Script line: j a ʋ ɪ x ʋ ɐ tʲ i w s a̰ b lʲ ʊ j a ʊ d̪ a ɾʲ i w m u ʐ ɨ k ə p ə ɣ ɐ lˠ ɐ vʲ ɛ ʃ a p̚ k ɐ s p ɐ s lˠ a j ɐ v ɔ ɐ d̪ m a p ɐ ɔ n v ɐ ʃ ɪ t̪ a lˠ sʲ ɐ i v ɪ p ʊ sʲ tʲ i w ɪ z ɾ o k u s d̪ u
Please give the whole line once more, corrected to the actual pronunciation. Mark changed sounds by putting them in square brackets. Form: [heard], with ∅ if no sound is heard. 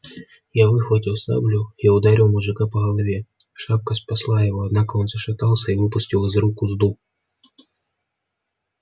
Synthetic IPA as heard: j a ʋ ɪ x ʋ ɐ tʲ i w s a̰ b lʲ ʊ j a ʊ d̪ a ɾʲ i w m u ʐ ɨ k [a] p [ɐ] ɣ ɐ lˠ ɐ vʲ ɛ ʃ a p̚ k ɐ s p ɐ s lˠ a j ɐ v ɔ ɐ d̪ [n] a [k] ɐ ɔ n [z] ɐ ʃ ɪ t̪ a lˠ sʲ ɐ i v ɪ p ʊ sʲ tʲ i w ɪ z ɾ [u] k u [z] d̪ u